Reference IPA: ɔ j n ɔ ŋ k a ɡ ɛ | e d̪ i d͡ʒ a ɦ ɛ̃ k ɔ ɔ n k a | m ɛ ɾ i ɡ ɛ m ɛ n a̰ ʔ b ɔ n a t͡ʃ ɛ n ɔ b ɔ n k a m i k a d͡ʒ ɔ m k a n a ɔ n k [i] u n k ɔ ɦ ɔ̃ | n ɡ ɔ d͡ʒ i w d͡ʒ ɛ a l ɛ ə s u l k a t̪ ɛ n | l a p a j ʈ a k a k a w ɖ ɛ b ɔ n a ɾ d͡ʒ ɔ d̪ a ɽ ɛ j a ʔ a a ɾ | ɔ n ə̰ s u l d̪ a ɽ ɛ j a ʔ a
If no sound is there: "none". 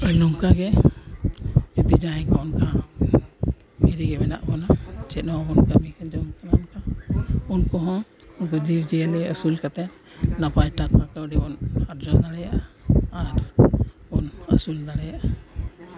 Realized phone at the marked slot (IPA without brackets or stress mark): a